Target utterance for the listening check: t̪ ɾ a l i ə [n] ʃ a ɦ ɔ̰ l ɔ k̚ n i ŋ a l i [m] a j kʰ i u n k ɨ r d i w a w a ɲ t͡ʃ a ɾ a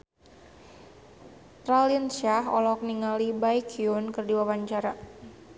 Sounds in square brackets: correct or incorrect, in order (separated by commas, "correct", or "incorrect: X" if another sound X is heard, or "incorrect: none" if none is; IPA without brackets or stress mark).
correct, incorrect: b